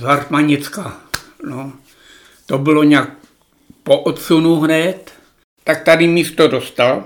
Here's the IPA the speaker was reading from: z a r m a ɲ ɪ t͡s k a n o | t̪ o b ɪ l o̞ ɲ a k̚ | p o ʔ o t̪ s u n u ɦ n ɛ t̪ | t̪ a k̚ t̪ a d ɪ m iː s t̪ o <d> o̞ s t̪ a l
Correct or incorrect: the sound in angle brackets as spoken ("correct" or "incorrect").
correct